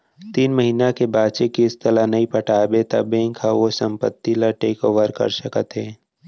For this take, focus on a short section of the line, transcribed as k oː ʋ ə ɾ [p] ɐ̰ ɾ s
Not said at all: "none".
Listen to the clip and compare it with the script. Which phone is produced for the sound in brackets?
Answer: k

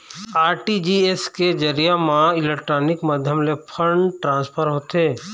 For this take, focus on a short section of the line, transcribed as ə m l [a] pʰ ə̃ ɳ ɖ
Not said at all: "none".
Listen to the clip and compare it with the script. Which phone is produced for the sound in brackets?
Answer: e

